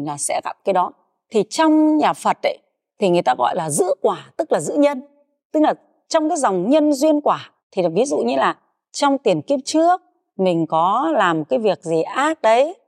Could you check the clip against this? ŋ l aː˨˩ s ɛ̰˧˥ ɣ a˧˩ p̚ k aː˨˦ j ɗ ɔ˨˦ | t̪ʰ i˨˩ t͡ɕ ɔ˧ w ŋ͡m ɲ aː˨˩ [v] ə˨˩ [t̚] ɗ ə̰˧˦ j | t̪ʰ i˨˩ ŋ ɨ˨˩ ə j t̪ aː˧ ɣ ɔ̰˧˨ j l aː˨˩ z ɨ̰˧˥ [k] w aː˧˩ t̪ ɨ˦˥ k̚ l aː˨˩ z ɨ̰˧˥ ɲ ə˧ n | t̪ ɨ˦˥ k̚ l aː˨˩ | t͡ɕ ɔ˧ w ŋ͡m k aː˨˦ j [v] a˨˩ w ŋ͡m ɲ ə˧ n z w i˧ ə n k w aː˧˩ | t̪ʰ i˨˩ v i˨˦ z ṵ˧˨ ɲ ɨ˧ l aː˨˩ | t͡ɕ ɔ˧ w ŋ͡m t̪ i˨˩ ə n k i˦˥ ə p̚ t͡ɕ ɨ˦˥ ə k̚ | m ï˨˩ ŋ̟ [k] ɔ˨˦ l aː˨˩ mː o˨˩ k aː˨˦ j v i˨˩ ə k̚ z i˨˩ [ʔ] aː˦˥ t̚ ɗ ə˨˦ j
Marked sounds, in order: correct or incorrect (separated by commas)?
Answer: incorrect, correct, correct, incorrect, correct, correct